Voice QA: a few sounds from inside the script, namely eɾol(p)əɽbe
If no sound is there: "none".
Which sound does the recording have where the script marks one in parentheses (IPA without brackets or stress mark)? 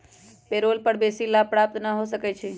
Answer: p